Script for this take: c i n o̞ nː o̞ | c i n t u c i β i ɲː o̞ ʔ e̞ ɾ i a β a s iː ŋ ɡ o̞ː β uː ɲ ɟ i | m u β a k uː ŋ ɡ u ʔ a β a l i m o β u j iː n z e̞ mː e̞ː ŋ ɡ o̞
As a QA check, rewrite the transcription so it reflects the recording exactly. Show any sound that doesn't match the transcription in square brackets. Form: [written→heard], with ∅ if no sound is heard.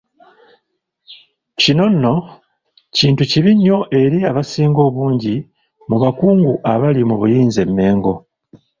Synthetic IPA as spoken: c i n o̞ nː o̞ | c [i→iː] n t u c i β i ɲː o̞ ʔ e̞ ɾ i a β a s iː ŋ ɡ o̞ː β uː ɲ ɟ i | m u β a k uː ŋ ɡ u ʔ a β a l i m [o→u] β u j iː n z e̞ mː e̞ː ŋ ɡ o̞